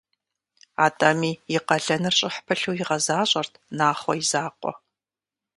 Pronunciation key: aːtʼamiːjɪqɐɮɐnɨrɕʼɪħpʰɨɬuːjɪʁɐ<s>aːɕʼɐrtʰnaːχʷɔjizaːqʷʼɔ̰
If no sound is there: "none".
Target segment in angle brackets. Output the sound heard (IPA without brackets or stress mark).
z